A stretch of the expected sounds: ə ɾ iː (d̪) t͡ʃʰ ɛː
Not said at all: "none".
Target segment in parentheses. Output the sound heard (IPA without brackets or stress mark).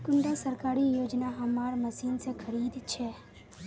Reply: d̪